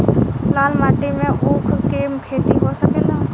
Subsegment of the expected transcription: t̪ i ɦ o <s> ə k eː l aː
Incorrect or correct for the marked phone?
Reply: correct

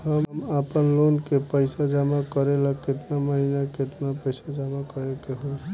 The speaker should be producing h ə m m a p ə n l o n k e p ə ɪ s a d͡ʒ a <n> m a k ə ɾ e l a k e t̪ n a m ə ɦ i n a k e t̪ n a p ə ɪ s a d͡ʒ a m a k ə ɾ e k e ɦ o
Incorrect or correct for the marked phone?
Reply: incorrect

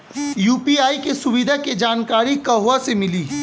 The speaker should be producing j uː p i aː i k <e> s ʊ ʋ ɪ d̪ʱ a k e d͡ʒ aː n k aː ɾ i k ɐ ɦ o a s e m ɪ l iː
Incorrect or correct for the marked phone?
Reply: correct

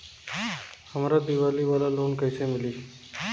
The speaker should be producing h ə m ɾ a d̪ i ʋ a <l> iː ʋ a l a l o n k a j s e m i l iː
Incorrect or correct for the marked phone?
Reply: correct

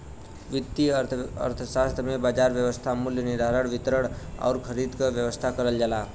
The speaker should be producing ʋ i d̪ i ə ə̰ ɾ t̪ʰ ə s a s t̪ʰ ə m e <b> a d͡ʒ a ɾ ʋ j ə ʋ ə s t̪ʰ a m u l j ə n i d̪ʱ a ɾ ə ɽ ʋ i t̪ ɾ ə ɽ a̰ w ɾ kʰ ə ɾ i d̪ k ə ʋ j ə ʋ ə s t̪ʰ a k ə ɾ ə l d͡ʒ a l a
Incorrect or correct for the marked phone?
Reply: correct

